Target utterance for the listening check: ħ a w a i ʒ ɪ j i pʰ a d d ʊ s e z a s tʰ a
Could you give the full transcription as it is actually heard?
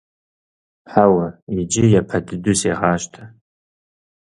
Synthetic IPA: ħ a w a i d͡ʒ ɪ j a pʰ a d d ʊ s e ʁ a ʃ tʰ a

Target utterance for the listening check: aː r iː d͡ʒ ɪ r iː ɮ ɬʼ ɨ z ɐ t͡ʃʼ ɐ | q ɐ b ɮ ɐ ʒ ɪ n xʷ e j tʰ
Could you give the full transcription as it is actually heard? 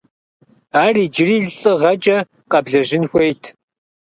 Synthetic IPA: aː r iː d͡ʒ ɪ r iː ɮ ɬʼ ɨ ʁ ɐ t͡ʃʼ ɐ | q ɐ b ɮ ɐ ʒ ɪ n xʷ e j tʰ

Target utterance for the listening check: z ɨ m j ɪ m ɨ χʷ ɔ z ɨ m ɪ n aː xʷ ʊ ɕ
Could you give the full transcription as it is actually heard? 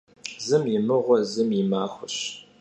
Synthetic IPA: z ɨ m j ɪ m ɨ ʁʷ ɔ z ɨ m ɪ m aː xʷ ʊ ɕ

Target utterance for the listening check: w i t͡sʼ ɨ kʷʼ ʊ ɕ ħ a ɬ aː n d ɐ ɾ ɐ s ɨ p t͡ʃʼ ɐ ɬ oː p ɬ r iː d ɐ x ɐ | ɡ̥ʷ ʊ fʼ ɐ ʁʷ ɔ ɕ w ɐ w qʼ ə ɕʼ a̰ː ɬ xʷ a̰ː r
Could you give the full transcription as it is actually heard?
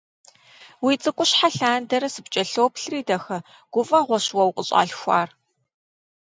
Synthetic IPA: w i t͡sʼ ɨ kʷʼ ʊ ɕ ħ a ɬ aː n d ɐ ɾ ɐ s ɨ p t͡ʃʼ ɐ ɬ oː p ɬ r iː d ɐ x ɐ | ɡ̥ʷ ʊ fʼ ɐ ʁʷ ɔ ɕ w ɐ w qʼ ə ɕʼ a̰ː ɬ xʷ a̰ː r

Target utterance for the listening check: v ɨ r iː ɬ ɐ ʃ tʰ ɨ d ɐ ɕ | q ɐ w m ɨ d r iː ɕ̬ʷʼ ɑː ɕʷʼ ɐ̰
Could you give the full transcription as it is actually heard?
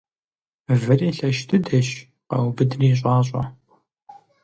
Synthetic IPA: v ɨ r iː ɬ ɐ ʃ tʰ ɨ d ɐ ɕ | q ɐ w b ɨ d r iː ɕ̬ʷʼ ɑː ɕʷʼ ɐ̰

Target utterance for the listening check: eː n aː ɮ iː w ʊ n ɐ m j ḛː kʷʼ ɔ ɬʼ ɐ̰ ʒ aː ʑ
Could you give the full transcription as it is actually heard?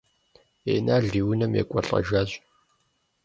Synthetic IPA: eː n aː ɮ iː w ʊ n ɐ m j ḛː kʷʼ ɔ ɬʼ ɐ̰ ʒ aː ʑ

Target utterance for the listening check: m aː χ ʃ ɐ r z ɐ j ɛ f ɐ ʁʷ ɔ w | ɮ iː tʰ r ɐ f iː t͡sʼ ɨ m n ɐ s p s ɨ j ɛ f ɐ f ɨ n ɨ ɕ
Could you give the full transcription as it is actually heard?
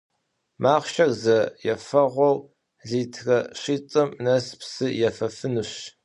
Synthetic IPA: m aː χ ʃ ɐ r z ɐ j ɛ f ɐ ʁʷ ɔ w | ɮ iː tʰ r ɐ ɕ iː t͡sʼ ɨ m n ɐ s p s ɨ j ɛ f ɐ f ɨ n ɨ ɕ

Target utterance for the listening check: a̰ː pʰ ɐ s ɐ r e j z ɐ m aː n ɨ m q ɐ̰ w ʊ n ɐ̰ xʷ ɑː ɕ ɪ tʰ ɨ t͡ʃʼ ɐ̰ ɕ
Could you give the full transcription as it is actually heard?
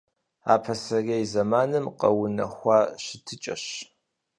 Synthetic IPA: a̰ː pʰ ɐ s ɐ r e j z ɐ m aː n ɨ m q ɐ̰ w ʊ n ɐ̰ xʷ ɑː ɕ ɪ tʰ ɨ t͡ʃʼ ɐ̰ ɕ

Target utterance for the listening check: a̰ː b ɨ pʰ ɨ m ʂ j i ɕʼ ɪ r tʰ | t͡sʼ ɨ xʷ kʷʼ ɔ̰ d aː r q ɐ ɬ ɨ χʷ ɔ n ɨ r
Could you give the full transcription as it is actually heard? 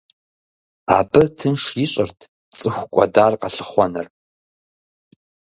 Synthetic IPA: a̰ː b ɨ tʰ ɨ n ʂ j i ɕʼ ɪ r tʰ | t͡sʼ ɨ xʷ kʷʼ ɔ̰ d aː r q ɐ ɬ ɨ χʷ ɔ n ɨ r

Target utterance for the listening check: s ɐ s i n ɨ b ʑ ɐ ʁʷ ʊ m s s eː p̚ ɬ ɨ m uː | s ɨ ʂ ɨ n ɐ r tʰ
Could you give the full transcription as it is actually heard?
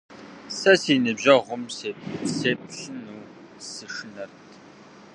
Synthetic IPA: s ɐ s i n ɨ b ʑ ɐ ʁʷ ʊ m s s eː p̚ ɬ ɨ n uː | s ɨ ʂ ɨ n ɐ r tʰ

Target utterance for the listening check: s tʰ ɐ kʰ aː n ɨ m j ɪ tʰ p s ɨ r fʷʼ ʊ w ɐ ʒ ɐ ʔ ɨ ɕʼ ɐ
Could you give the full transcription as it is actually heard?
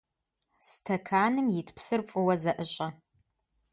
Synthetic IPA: s tʰ ɐ kʰ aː n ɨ m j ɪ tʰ p s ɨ r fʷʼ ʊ w ɐ z ɐ ʔ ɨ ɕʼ ɐ

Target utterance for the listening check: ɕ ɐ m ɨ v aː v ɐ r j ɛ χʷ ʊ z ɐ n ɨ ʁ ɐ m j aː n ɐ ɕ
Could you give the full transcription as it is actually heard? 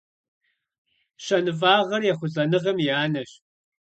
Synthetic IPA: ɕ ɐ n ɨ v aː ʁ ɐ r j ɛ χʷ ʊ z ɐ n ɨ ʁ ɐ m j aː n ɐ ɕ

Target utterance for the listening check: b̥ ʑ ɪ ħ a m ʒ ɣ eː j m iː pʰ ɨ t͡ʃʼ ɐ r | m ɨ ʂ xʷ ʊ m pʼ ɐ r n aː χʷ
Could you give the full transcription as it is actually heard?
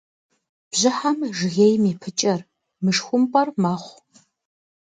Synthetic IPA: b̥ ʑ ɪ ħ a m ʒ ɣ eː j m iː pʰ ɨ t͡ʃʼ ɐ r | m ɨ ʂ xʷ ʊ m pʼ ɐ r m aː χʷ

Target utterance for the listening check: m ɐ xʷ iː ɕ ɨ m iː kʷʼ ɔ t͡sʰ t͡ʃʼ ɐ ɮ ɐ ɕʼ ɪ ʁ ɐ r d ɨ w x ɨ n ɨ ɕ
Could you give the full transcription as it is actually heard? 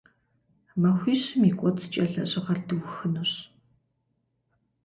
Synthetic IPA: m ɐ xʷ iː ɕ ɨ m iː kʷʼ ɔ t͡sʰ t͡ʃʼ ɐ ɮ ɐ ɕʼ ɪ ʁ ɐ r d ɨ w x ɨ n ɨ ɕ

